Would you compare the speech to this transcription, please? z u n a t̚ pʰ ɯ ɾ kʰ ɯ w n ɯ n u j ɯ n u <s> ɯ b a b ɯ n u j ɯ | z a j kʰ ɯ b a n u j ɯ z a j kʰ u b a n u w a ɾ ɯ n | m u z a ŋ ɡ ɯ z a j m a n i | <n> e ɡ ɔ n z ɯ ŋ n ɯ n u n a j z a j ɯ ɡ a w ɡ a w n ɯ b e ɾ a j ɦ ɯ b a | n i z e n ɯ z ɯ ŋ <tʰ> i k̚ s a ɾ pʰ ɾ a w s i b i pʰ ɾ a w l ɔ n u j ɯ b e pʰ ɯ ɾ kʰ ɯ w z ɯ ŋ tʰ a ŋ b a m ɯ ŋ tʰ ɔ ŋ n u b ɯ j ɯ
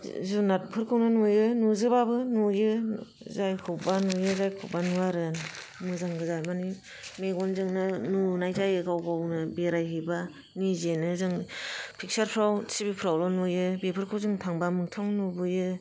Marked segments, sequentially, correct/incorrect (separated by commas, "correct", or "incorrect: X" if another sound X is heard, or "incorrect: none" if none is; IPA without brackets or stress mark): incorrect: z, incorrect: m, incorrect: pʰ